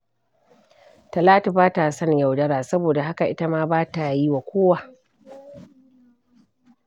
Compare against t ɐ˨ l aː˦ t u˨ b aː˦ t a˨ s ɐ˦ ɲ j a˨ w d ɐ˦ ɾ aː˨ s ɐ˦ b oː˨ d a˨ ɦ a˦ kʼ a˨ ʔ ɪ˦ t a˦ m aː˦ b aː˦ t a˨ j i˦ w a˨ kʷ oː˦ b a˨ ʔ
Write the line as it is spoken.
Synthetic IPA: t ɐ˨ l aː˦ t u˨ b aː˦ t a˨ s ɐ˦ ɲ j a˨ w d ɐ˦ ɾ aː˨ s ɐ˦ b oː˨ d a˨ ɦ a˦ k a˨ ʔ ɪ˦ t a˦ m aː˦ b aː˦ t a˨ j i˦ w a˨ kʷ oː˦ w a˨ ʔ

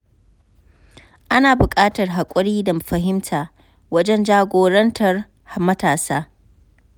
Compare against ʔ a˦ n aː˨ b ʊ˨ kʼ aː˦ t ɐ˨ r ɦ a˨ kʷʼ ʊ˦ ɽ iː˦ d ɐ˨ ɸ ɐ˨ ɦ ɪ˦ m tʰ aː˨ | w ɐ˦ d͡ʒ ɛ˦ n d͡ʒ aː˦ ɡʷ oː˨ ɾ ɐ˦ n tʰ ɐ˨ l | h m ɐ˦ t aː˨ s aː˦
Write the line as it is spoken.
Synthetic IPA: ʔ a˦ n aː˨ b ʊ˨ kʼ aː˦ t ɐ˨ r ɦ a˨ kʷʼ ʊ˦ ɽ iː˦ d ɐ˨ ɸ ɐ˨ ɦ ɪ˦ m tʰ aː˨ | w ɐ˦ d͡ʒ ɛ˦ n d͡ʒ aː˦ ɡʷ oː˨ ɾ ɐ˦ n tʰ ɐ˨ r | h m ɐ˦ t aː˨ s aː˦

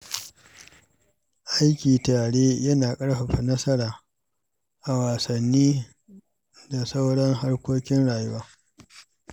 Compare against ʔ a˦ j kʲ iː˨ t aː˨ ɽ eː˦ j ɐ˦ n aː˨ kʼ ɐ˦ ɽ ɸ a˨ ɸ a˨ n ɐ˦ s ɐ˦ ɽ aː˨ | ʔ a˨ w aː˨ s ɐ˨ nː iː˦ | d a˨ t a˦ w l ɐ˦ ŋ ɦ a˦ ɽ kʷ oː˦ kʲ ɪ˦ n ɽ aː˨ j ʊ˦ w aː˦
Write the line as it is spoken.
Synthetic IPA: ʔ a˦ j kʲ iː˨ t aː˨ ɽ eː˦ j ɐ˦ n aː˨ kʼ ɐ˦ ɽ ɸ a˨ ɸ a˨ n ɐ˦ s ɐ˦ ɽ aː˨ | ʔ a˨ w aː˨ s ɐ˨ nː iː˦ | d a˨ s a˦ w ɽ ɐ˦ ŋ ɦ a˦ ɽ kʷ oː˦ kʲ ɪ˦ n ɽ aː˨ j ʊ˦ w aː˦

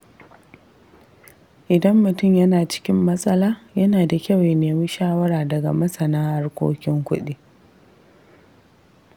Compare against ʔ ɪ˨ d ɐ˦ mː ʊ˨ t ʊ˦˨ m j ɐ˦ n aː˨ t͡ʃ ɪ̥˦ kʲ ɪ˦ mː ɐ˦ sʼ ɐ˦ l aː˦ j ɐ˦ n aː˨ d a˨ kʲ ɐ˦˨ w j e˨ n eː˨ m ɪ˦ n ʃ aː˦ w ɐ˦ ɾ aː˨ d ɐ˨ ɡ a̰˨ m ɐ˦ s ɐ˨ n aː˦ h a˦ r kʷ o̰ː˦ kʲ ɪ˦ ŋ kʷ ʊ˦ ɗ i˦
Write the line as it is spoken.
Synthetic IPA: ʔ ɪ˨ d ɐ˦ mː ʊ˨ t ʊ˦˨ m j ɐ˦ n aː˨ t͡ʃ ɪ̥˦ kʲ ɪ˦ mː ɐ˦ sʼ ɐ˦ l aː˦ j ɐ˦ n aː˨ d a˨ kʲ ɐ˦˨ w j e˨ n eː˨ m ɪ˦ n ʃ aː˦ w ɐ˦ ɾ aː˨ d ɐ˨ ɡ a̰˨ m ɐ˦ s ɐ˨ n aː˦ h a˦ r kʷ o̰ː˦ kʲ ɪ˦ ŋ kʷ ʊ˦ ɗ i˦

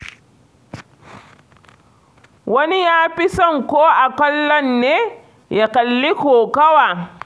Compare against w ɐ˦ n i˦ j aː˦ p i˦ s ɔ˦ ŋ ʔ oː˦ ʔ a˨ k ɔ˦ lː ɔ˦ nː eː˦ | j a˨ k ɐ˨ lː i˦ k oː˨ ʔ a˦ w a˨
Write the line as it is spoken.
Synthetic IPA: w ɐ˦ n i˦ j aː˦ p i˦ s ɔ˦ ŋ k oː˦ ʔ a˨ k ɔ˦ lː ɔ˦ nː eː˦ | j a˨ k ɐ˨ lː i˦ k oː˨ k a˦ w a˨

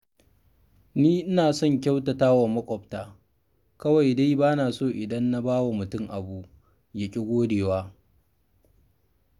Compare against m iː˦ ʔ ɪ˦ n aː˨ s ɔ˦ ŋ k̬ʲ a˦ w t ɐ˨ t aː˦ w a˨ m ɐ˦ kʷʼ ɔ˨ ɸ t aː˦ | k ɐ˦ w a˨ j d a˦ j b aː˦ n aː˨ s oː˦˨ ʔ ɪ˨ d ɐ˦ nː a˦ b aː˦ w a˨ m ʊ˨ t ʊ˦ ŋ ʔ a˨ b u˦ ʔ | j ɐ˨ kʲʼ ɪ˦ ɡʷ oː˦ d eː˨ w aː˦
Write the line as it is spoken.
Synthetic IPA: n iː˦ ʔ ɪ˦ n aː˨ s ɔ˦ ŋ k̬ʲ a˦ w t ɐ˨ t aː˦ w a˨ m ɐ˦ kʷʼ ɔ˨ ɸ t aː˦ | k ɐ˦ w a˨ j d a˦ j b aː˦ n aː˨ s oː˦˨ ʔ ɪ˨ d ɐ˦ nː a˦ b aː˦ w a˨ m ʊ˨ t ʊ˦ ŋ ʔ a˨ b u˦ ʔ | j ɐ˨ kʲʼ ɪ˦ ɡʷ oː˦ d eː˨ w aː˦

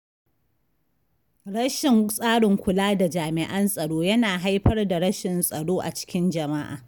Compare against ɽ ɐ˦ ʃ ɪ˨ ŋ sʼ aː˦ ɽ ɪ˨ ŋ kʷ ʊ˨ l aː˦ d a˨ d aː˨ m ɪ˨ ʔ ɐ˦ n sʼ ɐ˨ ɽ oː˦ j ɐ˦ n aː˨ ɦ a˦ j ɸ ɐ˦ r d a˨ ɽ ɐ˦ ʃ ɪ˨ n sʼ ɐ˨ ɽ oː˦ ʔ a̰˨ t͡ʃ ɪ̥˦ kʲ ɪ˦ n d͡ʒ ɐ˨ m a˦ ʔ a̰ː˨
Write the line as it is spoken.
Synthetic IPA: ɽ ɐ˦ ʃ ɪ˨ ŋ sʼ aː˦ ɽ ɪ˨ ŋ kʷ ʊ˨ l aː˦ d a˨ d͡ʒ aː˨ m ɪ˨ ʔ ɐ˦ n sʼ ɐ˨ ɽ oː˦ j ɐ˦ n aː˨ ɦ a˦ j ɸ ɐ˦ r d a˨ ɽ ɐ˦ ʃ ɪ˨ n sʼ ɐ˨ ɽ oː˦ ʔ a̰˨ t͡ʃ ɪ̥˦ kʲ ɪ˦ n d͡ʒ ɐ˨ m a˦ ʔ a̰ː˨

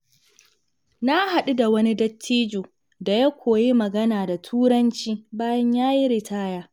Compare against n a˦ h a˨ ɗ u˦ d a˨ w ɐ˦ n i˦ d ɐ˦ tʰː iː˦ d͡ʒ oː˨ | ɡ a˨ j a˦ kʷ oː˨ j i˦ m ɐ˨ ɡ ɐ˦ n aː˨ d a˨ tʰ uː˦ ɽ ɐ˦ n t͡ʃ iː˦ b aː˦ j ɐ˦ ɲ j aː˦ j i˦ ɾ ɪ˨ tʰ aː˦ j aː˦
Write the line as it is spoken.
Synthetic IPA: n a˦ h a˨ ɗ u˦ d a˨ w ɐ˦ n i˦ d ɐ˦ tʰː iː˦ d͡ʒ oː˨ | d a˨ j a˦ kʷ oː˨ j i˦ m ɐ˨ ɡ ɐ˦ n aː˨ d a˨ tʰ uː˦ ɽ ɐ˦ n t͡ʃ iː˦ b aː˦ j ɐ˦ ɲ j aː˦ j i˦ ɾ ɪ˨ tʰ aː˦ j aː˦

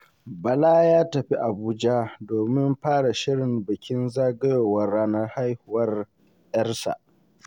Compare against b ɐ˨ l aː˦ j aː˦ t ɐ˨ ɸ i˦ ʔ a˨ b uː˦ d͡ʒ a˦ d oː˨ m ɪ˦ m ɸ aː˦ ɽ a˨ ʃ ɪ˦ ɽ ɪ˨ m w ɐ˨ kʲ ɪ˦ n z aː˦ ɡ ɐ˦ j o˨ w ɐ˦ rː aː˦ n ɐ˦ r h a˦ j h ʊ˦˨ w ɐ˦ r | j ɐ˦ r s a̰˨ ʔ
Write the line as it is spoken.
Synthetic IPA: b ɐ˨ l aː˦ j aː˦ t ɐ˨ ɸ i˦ ʔ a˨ b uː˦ d͡ʒ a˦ d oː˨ m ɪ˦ m ɸ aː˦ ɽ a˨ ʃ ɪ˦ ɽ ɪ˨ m b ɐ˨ kʲ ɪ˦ n z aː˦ ɡ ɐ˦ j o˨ w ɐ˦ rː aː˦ n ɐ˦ r h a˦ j h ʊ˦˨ w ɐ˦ r | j ɐ˦ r s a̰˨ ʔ

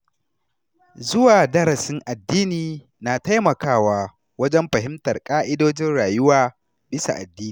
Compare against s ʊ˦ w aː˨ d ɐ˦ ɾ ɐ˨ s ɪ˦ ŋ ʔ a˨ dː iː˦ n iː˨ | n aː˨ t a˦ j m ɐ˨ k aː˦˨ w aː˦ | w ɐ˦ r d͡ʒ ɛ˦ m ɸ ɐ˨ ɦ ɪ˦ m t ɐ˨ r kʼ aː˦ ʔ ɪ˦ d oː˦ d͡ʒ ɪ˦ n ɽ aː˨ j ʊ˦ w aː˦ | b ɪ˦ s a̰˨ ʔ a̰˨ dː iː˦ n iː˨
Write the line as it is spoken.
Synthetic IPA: z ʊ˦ w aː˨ d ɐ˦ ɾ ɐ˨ s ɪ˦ ŋ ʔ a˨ dː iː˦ n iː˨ | n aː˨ t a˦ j m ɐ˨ k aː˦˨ w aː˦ | w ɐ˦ d͡ʒ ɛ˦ m ɸ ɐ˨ ɦ ɪ˦ m t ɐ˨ r kʼ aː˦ ʔ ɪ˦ d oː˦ d͡ʒ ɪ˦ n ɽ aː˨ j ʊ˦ w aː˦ | b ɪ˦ s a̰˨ ʔ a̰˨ dː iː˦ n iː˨

